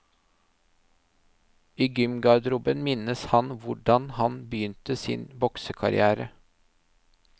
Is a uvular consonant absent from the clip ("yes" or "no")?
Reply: yes